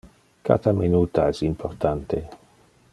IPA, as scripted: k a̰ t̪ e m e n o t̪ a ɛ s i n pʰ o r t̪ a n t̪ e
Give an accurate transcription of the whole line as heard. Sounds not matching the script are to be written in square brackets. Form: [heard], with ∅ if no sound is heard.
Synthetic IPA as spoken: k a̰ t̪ [a] m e n [u] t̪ a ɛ s i [m] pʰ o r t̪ a n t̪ e